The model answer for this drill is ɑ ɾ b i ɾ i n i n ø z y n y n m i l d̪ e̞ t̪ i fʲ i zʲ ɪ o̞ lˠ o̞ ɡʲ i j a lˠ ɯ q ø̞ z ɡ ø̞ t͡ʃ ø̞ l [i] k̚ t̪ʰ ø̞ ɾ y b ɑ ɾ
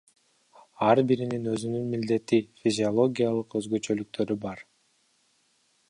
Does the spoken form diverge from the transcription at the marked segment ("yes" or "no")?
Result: yes